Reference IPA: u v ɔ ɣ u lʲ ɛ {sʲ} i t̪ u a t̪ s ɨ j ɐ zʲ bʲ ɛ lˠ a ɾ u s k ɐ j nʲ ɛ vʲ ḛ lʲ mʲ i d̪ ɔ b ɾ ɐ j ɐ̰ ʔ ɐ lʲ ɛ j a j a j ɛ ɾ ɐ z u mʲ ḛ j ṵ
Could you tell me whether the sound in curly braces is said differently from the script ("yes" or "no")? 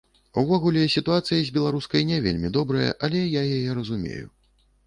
no